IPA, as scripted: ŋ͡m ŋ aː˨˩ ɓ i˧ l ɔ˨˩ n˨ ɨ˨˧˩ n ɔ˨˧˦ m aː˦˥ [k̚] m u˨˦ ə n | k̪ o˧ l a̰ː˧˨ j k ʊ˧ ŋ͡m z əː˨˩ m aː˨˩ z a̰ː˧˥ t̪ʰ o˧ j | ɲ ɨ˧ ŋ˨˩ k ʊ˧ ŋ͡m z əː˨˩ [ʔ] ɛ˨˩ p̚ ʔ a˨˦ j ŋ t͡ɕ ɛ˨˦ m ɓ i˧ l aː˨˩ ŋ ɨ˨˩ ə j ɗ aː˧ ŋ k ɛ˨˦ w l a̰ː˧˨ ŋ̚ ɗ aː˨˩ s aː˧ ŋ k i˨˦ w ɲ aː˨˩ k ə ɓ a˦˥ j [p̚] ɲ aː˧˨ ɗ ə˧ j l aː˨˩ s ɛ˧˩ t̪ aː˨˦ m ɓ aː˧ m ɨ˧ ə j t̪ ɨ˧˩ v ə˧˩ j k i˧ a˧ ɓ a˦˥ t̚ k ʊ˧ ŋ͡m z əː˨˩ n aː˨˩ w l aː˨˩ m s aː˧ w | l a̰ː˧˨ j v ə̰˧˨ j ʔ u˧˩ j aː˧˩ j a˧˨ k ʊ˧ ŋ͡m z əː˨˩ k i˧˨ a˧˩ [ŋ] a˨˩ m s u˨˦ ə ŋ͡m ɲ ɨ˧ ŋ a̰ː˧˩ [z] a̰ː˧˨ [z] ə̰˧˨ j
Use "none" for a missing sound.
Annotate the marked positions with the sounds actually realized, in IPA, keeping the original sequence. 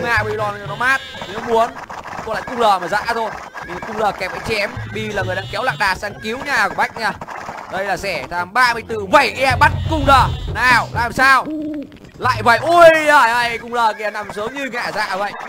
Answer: t̚, k, k̚, n, z, v

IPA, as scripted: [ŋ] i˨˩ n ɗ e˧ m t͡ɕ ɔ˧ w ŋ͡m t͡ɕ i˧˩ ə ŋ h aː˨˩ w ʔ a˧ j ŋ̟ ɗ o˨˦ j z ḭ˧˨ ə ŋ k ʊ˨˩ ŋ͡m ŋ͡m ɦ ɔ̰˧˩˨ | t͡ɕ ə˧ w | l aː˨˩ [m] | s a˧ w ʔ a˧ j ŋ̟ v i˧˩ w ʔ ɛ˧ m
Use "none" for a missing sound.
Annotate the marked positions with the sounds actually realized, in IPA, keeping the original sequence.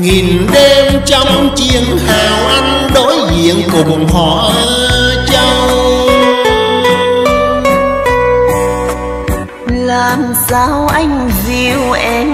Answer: ŋ, m

